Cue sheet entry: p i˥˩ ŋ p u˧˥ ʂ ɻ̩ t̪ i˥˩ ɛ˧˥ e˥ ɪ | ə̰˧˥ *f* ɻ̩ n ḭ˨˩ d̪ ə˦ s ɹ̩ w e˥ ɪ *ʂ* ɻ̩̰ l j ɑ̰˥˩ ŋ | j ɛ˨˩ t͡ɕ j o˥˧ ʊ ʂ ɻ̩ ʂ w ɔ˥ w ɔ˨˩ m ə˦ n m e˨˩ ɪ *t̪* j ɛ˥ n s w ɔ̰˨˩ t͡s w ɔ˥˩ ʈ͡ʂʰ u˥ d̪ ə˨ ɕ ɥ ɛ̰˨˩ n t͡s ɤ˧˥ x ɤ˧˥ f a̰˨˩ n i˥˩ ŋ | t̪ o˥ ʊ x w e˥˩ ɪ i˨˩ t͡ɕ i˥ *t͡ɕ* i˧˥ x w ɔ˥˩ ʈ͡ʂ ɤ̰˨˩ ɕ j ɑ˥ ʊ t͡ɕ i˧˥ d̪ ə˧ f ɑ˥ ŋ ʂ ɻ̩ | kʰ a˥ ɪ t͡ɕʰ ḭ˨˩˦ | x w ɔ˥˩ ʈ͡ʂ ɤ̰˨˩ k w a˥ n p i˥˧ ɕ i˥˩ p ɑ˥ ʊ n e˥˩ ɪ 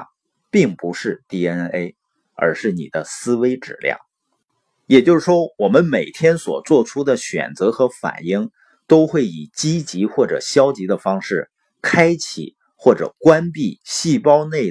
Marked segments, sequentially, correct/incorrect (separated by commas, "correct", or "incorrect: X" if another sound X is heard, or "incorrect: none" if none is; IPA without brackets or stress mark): incorrect: ʂ, incorrect: ʈ͡ʂ, incorrect: t̪ʰ, correct